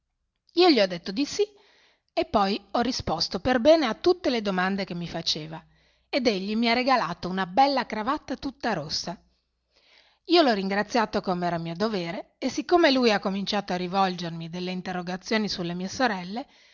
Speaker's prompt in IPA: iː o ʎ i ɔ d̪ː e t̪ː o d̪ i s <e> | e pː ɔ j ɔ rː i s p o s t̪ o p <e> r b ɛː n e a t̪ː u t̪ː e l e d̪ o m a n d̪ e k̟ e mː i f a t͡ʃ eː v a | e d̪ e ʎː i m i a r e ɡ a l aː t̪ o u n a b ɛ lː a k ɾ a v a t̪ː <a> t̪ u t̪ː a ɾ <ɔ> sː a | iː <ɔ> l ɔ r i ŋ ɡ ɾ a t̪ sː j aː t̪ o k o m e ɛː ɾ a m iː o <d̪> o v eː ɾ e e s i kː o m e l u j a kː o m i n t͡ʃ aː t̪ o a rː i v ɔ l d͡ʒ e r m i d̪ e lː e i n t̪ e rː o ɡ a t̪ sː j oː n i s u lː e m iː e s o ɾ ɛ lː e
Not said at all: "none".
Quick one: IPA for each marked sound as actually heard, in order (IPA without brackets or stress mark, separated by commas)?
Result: i, e, a, o, o, d̪